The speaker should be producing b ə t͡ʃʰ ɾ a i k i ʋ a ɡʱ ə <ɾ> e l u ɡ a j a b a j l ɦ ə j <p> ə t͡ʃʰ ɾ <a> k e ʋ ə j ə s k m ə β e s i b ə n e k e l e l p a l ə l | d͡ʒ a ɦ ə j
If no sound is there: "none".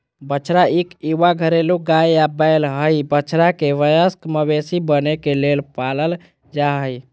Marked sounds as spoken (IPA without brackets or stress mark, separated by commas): ɾ, b, a